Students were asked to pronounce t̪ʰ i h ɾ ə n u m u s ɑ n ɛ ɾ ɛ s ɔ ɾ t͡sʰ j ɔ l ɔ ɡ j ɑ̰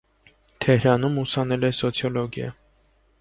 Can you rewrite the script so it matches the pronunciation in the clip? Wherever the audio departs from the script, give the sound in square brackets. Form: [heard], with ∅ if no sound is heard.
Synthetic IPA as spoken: t̪ʰ [ɛ] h ɾ [ɑ] n u m u s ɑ n ɛ [l] ɛ s ɔ [∅] t͡sʰ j ɔ l ɔ ɡ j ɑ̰